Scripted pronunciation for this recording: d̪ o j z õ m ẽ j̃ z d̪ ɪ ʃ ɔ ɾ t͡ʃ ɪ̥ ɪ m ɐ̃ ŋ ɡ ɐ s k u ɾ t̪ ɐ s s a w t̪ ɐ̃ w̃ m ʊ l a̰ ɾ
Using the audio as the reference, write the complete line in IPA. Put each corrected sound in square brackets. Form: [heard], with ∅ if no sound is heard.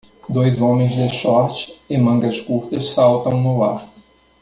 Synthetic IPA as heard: d̪ o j z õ m ẽ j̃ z d̪ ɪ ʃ ɔ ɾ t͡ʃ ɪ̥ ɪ m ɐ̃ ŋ ɡ ɐ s k u ɾ t̪ ɐ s s a w t̪ ɐ̃ w̃ [n] ʊ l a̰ ɾ